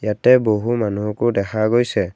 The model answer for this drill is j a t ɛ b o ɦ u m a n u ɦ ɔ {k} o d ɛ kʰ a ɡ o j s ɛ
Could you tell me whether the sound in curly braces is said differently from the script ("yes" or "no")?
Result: no